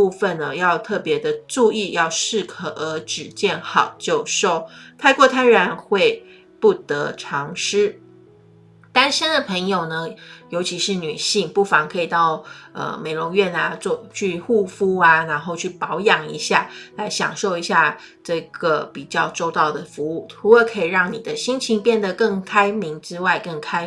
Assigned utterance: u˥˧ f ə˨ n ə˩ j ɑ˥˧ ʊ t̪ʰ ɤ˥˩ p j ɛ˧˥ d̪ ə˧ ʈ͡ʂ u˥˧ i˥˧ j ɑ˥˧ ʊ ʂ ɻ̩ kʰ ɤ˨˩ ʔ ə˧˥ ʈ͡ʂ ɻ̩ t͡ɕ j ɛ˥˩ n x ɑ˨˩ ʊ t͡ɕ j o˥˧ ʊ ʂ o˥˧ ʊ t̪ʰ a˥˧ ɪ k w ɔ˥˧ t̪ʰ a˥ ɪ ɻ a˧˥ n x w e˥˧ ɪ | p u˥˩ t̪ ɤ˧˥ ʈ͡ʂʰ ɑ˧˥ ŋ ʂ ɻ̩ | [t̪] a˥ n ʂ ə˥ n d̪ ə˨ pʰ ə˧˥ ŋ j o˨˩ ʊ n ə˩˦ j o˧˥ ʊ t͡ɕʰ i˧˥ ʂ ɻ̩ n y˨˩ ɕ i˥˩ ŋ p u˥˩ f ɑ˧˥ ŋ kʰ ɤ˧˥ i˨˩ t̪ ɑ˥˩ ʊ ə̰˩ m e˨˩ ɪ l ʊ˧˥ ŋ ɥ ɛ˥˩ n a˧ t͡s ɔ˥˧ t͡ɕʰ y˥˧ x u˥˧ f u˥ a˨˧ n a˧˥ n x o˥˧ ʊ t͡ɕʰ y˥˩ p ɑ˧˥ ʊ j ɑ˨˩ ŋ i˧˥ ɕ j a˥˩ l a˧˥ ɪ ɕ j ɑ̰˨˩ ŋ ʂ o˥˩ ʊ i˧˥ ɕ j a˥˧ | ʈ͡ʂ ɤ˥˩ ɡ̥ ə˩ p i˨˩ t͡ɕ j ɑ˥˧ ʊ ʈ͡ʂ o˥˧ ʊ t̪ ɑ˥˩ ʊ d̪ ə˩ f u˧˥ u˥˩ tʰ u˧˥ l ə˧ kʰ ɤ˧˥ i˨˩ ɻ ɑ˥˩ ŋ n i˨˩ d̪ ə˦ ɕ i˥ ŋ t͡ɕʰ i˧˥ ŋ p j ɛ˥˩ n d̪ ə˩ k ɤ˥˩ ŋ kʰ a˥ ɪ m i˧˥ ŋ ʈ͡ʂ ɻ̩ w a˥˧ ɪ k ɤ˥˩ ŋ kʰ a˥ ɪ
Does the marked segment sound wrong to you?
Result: no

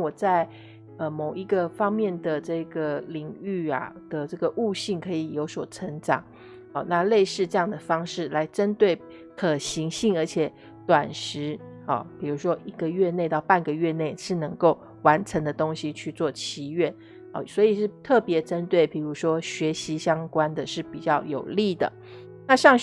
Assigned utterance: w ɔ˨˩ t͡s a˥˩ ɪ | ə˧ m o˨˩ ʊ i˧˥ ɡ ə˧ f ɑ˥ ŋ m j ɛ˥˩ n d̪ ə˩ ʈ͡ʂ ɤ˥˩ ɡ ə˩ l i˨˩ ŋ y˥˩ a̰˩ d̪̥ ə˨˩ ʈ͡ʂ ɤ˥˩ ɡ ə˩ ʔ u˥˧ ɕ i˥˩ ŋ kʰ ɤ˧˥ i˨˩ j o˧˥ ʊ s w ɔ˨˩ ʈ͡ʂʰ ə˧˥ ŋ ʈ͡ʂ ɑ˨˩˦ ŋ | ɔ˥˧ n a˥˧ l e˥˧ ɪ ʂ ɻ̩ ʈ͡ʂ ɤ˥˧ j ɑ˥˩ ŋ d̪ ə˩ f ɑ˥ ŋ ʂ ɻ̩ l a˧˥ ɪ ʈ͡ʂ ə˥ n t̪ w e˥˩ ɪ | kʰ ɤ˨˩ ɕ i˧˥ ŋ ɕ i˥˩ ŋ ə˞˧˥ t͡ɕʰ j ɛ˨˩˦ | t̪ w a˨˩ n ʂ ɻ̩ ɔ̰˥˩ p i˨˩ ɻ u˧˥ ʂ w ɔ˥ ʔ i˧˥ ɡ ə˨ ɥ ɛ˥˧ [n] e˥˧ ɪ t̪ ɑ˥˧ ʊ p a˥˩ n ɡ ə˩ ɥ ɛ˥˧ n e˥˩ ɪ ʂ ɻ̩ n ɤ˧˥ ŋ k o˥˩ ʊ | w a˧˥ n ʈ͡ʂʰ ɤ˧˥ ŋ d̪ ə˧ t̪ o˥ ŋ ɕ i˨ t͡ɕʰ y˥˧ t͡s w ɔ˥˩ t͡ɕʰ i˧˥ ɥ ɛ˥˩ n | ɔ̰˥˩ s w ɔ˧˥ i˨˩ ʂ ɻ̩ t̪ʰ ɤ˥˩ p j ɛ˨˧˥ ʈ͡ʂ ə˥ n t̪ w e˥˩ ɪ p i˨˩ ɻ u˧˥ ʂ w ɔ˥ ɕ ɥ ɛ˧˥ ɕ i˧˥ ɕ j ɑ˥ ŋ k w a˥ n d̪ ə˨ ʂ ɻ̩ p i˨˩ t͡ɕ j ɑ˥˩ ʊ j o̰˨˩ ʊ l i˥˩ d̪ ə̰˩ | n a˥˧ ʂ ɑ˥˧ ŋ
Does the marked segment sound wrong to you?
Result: no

